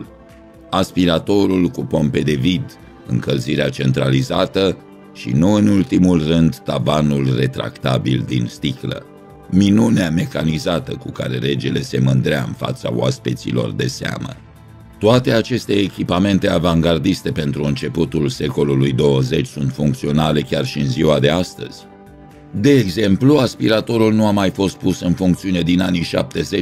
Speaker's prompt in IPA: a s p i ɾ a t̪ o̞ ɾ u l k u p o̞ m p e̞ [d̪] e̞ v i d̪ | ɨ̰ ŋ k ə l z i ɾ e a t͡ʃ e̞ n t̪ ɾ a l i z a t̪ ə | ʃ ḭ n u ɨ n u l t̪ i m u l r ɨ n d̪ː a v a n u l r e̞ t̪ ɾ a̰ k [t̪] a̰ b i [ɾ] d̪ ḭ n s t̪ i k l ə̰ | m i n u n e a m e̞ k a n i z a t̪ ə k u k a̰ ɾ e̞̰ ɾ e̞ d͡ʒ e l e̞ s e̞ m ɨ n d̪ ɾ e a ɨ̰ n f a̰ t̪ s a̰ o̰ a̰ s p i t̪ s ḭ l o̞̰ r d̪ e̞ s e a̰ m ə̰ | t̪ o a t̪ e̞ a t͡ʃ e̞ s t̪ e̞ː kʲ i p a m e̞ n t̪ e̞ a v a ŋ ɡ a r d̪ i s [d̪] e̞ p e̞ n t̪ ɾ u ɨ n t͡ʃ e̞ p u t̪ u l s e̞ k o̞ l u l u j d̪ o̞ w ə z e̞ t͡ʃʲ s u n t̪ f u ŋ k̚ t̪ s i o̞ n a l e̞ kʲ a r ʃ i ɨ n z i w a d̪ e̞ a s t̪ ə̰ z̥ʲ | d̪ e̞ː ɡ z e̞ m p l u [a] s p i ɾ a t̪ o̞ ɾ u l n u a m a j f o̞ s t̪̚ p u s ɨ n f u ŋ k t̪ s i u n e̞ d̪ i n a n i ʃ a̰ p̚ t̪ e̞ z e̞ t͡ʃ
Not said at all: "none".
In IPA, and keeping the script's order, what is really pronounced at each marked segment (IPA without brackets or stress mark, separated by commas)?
d̪, t̪, l, t̪, a